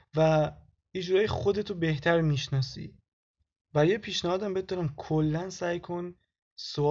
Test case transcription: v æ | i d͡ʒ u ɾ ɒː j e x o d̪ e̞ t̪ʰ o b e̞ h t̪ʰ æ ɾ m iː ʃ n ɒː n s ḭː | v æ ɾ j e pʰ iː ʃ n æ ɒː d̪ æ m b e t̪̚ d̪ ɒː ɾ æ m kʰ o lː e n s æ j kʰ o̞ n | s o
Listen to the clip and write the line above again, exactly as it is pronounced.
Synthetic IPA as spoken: v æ | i d͡ʒ u ɾ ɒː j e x o d̪ e̞ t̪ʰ o b e̞ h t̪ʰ æ ɾ m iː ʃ n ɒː s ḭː | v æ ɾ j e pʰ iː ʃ n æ ɒː d̪ æ m b e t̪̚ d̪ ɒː ɾ æ m kʰ o lː æ n s æ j kʰ o̞ n | s o